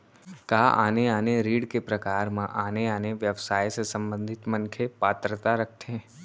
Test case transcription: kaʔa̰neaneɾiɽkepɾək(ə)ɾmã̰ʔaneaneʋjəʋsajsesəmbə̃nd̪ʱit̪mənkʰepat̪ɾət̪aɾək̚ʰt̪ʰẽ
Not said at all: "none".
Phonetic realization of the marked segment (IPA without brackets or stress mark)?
a